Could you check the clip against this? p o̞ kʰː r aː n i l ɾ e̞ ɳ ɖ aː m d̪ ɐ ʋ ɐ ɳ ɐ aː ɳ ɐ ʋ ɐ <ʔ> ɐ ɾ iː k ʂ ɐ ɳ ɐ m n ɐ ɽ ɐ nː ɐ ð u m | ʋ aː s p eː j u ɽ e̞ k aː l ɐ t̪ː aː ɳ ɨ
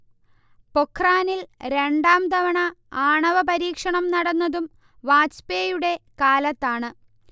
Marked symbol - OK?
no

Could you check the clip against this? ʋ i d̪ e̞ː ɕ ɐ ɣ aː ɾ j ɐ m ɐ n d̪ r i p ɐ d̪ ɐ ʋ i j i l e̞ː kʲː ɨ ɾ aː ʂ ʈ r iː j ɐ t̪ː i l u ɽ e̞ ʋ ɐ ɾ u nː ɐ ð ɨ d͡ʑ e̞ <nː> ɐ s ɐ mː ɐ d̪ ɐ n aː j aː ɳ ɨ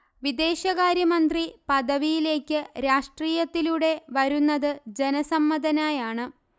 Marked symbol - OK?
no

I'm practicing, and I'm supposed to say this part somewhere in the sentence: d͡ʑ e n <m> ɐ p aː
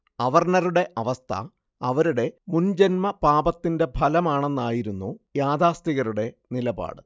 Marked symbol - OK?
yes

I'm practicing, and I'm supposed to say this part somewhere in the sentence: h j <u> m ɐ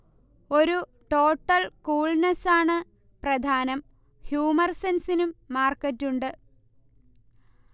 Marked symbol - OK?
no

